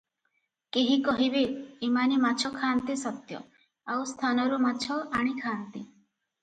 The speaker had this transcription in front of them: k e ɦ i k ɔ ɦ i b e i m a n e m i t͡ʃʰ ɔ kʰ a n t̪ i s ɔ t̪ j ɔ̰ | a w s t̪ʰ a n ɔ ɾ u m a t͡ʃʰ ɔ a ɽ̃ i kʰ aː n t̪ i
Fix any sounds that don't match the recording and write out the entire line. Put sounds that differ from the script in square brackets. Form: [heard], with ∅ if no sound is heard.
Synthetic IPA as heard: k e ɦ i k ɔ ɦ i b e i m a n [i] m [a] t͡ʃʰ ɔ kʰ a n t̪ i s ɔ t̪ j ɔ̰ | a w s t̪ʰ a n ɔ ɾ u m a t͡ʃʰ ɔ a ɽ̃ i kʰ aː n t̪ i